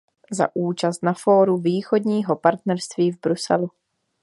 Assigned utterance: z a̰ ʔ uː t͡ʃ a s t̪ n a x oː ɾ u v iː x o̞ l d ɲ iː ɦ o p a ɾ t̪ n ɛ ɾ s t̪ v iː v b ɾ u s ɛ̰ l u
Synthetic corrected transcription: z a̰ ʔ uː t͡ʃ a s t̪ n a f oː ɾ u v iː x o̞ d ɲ iː ɦ o p a ɾ t̪ n ɛ ɾ s t̪ v iː v b ɾ u s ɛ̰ l u